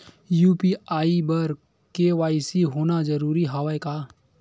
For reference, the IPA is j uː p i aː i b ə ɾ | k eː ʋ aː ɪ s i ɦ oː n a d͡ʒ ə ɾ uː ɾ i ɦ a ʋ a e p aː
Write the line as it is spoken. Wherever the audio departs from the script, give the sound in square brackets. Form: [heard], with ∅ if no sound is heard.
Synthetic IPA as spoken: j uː p i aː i b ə ɾ | k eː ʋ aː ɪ s i ɦ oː n a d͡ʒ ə ɾ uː ɾ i ɦ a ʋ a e [k] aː